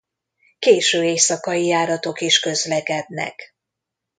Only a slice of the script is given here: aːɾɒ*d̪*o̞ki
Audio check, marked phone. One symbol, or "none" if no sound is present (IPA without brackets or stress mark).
t̪